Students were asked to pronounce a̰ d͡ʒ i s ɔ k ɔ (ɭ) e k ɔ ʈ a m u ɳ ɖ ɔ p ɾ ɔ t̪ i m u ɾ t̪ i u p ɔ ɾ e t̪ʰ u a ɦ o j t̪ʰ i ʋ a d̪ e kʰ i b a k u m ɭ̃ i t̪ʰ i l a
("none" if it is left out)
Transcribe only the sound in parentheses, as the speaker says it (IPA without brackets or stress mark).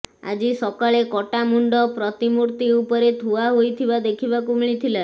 ɭ